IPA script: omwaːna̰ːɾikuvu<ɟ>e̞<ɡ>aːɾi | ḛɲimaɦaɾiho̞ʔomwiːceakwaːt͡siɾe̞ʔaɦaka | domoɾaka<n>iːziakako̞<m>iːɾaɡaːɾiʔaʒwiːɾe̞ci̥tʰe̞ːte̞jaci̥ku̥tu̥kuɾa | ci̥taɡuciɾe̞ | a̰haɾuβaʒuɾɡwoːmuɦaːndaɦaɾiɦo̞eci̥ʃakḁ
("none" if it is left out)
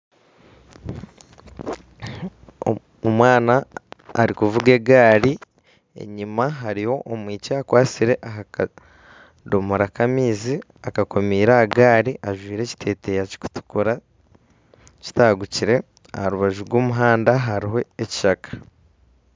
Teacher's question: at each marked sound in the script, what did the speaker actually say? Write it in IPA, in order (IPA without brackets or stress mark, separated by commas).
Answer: ɡ, ɡ, m, m